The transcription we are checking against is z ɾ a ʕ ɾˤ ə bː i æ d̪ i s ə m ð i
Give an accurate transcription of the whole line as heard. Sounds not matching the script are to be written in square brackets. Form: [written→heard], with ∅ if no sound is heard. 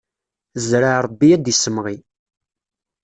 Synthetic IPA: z ɾ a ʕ ɾˤ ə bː i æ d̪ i s ə m [ð→ʁ] i